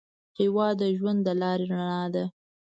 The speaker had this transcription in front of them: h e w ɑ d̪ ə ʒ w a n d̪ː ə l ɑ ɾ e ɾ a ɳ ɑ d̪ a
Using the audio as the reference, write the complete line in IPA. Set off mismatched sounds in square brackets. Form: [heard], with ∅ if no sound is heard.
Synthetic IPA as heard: h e w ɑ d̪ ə ʒ w a n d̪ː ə l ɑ ɾ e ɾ a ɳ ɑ d̪ a